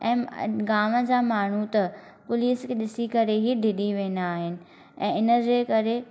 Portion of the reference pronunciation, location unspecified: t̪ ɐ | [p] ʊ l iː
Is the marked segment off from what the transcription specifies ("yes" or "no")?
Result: no